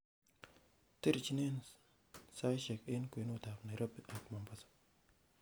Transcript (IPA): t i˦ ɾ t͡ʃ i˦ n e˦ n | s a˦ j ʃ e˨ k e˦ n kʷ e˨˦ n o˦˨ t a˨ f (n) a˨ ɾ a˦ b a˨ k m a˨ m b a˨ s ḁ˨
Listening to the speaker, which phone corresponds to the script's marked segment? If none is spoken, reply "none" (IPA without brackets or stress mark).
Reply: n